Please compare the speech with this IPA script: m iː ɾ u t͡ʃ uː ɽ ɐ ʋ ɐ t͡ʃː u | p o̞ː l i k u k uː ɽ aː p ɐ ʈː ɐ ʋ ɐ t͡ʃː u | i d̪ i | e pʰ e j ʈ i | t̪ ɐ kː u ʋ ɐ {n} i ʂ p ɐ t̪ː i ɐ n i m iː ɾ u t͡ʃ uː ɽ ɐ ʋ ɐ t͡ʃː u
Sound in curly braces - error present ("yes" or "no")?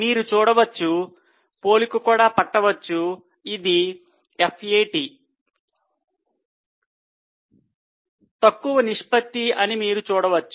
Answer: no